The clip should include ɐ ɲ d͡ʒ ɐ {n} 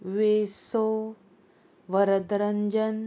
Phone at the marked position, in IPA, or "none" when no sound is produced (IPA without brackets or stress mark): n